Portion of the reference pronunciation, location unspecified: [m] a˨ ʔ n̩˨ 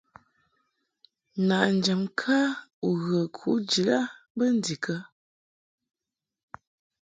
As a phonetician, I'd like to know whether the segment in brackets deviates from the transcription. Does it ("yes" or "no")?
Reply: yes